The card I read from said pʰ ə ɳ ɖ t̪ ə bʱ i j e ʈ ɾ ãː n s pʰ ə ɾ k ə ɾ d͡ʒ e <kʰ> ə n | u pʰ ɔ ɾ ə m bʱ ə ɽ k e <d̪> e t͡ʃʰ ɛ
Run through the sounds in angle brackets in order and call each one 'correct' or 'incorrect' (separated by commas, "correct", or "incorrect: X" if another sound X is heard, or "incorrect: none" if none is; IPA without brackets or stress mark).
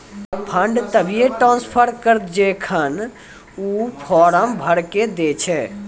correct, correct